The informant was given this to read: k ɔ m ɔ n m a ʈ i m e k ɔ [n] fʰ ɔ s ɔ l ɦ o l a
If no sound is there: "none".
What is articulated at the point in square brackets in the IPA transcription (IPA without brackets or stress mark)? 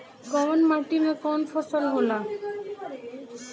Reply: n